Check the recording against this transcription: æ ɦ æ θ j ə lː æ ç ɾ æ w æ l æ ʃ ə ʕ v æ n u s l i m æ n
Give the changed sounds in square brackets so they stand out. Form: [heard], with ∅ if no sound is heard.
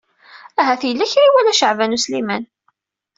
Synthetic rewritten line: æ ɦ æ θ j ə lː æ ç ɾ [i] w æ l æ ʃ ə ʕ v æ n u s l i m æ n